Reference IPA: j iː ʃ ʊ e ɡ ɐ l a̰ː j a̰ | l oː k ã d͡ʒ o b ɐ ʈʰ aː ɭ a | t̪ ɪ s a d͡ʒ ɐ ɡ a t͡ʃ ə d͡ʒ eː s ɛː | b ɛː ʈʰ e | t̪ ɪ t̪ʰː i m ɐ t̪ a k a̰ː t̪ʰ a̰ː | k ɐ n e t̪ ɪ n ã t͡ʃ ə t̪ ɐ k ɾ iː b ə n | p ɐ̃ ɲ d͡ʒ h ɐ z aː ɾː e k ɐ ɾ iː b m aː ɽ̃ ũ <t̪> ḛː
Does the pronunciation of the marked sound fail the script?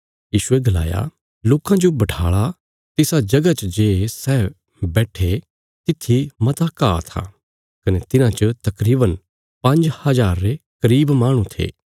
yes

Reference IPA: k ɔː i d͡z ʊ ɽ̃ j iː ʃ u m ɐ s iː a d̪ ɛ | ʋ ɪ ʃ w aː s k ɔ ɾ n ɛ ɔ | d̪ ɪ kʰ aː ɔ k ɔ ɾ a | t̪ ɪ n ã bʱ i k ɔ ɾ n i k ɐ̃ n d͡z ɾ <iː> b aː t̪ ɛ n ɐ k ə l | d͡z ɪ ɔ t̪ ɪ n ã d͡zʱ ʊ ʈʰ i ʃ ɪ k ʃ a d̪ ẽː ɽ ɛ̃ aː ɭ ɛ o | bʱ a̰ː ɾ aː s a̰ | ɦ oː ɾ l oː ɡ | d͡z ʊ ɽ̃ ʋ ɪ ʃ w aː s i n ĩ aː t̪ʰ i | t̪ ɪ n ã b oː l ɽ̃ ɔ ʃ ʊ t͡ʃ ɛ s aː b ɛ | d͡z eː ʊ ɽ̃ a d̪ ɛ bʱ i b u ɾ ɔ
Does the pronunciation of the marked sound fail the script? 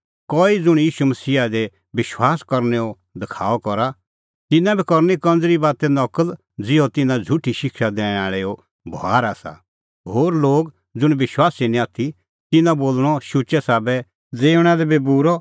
yes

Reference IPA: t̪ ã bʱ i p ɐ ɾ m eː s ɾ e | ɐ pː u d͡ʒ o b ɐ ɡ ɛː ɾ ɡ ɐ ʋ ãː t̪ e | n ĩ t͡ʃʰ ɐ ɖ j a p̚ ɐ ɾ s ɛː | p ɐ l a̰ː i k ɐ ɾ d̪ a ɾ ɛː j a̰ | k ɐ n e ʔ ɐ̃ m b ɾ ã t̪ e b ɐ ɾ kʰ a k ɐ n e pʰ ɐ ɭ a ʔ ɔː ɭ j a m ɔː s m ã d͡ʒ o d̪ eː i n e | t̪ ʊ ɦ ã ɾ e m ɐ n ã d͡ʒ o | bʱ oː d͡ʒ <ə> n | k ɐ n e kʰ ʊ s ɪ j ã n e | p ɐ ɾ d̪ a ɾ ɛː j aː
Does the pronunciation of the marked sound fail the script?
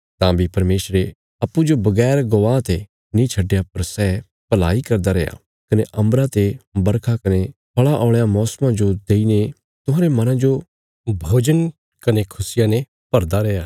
no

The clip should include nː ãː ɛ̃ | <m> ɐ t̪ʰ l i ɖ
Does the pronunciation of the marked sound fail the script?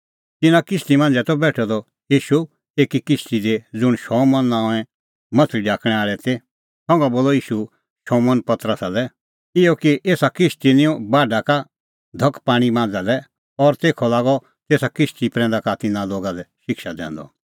no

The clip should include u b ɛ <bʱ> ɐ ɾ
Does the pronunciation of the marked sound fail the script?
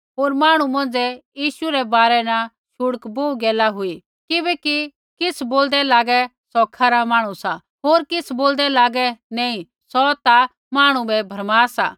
no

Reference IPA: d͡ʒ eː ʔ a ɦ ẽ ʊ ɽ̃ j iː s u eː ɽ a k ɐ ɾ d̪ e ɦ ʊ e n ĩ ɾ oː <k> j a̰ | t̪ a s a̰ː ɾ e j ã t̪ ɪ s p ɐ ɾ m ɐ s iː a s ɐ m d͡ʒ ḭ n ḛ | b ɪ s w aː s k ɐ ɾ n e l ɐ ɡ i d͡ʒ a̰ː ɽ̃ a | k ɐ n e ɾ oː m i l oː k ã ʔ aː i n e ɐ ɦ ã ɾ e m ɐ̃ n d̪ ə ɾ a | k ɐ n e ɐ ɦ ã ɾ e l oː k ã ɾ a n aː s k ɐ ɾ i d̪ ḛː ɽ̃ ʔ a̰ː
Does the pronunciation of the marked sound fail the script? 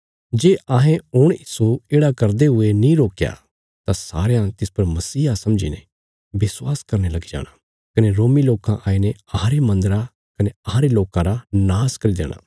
no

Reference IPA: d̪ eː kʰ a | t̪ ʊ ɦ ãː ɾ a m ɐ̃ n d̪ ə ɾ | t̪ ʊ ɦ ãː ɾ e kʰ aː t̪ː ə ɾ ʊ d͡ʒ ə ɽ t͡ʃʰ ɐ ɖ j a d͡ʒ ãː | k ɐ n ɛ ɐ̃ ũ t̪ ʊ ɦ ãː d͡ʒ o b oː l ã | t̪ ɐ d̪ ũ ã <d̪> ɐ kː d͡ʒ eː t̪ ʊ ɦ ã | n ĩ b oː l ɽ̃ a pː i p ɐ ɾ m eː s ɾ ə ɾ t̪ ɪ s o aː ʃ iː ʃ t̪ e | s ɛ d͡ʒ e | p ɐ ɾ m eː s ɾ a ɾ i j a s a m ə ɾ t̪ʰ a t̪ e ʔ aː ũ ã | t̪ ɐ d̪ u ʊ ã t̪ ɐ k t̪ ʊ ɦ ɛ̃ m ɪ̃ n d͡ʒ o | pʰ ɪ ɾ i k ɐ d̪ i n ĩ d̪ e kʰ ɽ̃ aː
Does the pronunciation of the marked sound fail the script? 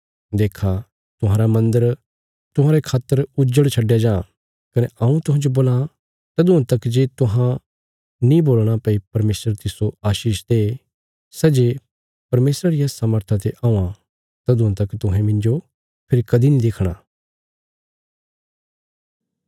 yes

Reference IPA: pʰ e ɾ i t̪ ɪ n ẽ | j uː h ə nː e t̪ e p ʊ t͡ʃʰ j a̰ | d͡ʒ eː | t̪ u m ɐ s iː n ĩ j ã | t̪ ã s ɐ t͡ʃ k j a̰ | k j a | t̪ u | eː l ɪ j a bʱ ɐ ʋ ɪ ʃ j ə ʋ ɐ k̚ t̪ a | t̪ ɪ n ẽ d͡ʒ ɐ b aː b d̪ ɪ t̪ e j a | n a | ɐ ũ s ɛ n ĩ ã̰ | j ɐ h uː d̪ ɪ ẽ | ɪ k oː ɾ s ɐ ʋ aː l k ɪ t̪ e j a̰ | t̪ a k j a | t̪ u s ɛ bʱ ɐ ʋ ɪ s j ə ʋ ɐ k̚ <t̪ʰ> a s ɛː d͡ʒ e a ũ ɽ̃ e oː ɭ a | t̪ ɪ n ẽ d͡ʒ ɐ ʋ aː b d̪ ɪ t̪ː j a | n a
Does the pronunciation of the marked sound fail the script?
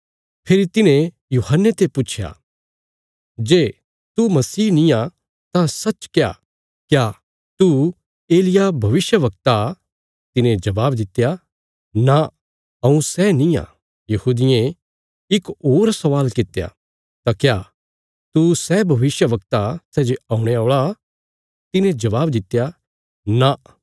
yes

